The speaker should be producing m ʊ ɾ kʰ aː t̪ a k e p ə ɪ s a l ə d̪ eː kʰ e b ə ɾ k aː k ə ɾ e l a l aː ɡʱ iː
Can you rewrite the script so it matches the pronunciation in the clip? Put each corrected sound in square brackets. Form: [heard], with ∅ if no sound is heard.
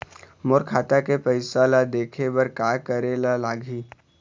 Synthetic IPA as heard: m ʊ ɾ kʰ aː t̪ a k e p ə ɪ s a l [a] d̪ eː kʰ e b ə ɾ k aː k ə ɾ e l a l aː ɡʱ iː